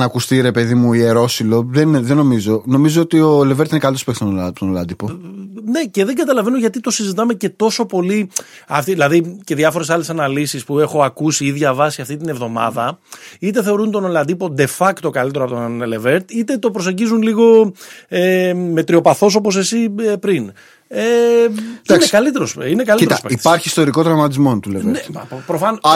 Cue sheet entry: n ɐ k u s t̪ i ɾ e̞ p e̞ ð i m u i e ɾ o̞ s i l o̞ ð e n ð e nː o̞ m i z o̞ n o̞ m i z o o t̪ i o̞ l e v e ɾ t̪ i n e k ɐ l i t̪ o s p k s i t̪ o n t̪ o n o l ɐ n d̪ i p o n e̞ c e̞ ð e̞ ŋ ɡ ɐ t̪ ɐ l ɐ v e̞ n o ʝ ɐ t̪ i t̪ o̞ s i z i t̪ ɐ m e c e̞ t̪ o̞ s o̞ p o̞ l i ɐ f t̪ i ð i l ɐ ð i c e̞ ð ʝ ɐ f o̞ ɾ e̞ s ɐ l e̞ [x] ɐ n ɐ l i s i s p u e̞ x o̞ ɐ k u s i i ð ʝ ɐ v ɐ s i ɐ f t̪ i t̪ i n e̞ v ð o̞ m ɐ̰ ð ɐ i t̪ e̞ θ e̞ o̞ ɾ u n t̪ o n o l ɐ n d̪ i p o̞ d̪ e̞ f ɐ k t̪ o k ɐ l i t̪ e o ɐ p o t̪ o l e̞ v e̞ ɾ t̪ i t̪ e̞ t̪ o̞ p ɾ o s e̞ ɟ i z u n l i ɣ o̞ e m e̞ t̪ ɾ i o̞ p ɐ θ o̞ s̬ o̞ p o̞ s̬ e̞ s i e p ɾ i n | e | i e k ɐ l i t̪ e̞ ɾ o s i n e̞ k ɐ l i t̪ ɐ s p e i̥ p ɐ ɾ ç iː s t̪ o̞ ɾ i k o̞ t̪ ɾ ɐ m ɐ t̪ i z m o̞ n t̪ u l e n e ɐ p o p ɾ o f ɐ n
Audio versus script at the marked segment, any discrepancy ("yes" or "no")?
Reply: yes